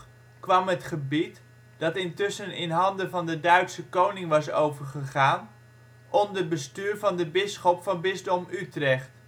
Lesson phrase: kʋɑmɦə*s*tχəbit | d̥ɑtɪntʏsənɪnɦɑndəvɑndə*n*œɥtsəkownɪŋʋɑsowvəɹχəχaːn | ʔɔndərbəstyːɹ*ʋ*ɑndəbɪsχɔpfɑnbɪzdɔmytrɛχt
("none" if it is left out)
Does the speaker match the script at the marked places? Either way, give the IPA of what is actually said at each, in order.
none, d, v

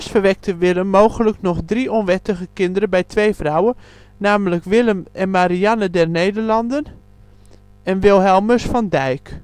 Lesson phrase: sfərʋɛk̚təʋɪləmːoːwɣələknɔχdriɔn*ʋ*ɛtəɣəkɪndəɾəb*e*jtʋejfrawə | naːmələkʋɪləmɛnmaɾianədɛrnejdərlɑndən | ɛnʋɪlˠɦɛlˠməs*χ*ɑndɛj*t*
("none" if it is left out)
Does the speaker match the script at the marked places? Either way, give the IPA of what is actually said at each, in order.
ʋ, ɛ, f, k

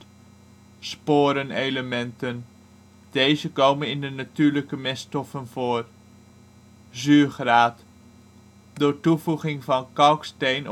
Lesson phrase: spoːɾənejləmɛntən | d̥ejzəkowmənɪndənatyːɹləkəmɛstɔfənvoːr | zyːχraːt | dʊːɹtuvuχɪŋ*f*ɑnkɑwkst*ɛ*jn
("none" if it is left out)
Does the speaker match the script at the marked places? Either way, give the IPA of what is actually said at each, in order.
v, e

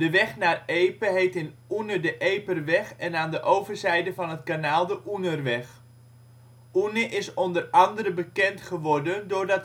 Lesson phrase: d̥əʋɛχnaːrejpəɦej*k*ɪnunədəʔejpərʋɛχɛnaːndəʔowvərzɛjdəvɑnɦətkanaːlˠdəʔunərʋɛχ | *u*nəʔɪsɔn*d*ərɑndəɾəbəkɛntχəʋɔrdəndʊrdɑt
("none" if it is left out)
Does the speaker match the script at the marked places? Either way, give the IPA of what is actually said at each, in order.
t, u, d

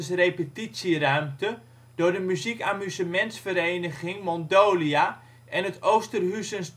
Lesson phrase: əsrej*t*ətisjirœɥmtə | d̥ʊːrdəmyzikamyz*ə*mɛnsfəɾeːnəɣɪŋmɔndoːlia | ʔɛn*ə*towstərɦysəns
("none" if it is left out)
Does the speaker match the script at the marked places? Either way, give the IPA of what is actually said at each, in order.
p, ə, ə

